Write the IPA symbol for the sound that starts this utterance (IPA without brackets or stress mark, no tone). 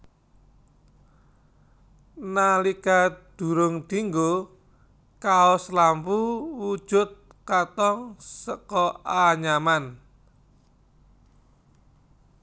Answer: n